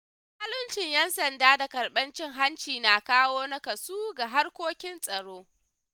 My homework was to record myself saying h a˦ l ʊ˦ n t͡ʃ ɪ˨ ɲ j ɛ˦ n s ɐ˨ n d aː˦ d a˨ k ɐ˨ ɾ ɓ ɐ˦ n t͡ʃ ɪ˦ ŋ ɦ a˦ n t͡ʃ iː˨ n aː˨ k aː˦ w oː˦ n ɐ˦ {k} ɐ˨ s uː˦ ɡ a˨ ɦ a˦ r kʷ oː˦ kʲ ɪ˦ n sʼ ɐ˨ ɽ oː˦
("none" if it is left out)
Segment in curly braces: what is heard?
k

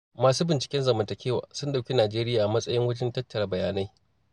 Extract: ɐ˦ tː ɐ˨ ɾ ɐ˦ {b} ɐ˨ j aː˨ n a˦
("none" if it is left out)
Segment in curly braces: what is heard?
b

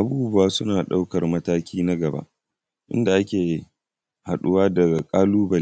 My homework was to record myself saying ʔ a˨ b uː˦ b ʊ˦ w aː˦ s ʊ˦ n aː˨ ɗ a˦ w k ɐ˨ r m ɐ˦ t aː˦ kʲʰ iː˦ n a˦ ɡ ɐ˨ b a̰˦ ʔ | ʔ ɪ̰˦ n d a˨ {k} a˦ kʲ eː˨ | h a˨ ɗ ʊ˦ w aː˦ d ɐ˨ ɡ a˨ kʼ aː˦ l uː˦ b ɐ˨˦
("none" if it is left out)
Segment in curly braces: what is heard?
ʔ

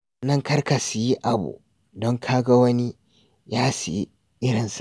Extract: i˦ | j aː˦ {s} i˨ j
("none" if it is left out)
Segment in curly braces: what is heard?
s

